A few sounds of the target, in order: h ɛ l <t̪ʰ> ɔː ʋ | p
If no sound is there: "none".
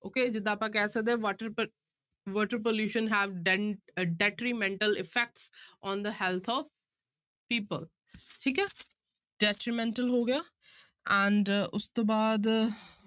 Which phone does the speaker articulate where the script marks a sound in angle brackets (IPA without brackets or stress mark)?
t̪ʰ